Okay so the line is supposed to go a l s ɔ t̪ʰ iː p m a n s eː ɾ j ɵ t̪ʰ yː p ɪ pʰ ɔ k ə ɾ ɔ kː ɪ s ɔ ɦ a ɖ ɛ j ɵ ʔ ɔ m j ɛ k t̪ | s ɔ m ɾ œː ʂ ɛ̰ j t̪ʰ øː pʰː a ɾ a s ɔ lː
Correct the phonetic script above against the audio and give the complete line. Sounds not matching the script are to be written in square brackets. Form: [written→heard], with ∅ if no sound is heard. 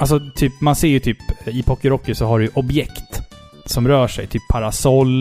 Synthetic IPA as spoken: a l s ɔ t̪ʰ [iː→yː] p m a n s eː ɾ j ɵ t̪ʰ yː p ɪ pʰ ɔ k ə ɾ ɔ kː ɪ s ɔ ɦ a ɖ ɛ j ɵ ʔ ɔ [m→b] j ɛ k t̪ | s ɔ m ɾ œː ʂ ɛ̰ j t̪ʰ [øː→yː] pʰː a ɾ a s ɔ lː